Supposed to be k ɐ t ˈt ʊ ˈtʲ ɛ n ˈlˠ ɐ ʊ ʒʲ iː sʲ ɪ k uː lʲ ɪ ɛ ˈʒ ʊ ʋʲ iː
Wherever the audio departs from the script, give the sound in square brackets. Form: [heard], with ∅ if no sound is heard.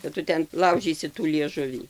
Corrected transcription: k ɐ t ˈt ʊ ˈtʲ ɛ n ˈlˠ ɐ ʊ ʒʲ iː sʲ ɪ [t] uː lʲ [i] ɛ ˈʒ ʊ ʋʲ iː